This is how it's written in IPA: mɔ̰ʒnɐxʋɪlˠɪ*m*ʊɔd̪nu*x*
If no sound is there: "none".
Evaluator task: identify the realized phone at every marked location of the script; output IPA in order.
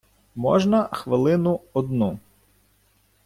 n, none

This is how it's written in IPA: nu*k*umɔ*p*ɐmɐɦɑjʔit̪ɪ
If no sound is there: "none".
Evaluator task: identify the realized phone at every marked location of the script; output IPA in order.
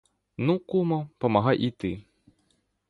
k, p

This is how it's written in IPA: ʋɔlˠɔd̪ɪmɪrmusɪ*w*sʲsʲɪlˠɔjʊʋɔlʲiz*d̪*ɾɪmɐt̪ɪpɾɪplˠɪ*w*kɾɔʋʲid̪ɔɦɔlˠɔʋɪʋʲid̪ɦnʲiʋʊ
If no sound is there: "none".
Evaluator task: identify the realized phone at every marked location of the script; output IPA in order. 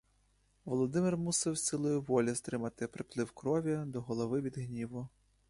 w, t̪, w

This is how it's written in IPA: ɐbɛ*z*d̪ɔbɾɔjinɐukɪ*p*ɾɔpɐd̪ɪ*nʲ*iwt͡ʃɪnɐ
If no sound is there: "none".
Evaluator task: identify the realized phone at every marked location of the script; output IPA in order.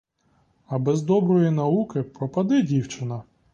z, p, dʲ

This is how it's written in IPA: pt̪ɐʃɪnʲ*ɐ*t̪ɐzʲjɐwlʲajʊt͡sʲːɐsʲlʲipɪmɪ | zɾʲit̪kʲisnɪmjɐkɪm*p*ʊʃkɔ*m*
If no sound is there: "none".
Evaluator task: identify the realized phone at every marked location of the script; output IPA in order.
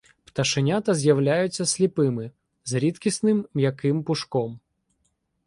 a, p, m

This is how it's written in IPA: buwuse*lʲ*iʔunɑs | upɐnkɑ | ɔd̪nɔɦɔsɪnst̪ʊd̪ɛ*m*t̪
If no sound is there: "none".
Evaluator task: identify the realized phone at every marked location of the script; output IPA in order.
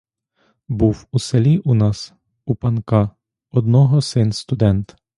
lʲ, n

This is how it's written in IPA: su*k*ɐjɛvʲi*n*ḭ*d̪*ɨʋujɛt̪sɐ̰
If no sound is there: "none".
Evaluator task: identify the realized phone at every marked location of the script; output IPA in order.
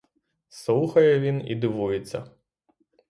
x, n, d̪

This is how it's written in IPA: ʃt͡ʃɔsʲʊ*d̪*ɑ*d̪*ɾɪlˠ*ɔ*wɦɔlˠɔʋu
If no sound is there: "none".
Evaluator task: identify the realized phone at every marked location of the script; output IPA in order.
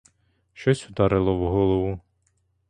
d̪, none, ɔ

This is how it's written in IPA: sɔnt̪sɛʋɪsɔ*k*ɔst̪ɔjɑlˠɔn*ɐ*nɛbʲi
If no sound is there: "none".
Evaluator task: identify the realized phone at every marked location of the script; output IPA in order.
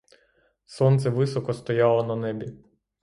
k, ɐ

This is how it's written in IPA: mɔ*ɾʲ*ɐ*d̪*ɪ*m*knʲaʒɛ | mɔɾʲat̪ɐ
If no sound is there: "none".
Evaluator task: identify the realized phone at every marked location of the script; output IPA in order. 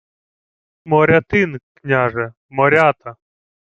ɾʲ, t̪, n

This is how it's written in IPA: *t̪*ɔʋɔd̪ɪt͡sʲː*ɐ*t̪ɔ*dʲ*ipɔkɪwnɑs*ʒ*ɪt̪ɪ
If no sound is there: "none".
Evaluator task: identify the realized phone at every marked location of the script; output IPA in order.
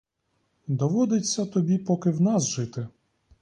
d̪, ɐ, bʲ, ʒ

